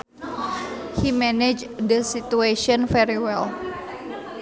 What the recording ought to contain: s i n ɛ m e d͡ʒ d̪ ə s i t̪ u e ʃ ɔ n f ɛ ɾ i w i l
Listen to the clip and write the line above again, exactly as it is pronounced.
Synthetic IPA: h i m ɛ n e d͡ʒ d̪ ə s i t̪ u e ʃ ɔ n f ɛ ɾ i w ɛ l